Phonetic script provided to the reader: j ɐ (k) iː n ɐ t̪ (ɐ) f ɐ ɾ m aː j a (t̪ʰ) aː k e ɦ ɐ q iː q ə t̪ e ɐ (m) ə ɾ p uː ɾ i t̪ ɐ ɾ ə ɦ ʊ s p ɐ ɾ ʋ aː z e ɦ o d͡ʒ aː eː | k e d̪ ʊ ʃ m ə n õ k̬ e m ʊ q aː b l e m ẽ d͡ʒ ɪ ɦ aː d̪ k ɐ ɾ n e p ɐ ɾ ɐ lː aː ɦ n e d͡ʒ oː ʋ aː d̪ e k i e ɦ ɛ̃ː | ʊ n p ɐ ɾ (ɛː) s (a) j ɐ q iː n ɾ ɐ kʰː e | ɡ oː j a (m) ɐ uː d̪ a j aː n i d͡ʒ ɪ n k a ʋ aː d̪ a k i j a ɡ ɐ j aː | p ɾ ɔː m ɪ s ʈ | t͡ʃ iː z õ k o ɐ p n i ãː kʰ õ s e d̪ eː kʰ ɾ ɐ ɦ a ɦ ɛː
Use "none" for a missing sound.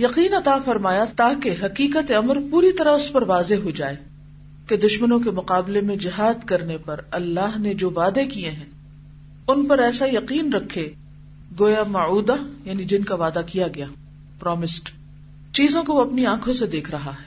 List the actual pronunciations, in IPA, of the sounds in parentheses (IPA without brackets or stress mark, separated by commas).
q, a, t̪, m, ɛː, a, m